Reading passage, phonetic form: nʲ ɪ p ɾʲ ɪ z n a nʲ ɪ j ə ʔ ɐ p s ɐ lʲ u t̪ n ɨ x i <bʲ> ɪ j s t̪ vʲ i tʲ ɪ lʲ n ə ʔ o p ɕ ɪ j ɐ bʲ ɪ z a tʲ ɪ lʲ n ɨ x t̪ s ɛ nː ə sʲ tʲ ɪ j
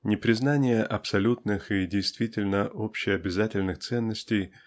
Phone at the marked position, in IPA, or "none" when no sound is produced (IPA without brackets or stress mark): dʲ